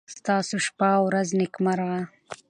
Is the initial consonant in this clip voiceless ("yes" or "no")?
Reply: yes